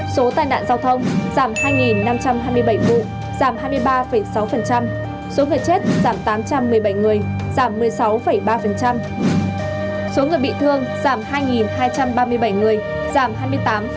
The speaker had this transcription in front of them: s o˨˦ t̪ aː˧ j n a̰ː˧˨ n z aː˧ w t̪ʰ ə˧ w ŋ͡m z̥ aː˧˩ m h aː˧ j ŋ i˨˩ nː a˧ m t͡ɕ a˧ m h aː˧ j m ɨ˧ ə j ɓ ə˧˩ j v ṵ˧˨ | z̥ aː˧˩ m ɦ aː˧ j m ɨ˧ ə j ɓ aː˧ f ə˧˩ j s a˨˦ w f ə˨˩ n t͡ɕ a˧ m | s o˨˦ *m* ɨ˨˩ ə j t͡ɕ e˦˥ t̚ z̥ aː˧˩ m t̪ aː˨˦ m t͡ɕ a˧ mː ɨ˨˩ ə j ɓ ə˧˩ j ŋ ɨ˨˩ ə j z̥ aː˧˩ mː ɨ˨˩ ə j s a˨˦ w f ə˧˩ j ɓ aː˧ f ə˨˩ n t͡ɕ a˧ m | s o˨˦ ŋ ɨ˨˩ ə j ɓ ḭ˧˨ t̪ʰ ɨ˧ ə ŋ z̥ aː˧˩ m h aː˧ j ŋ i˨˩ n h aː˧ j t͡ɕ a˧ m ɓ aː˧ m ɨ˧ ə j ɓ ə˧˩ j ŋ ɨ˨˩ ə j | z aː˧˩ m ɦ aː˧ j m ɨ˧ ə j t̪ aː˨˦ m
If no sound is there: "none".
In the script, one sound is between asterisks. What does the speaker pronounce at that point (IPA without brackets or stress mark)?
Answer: ŋ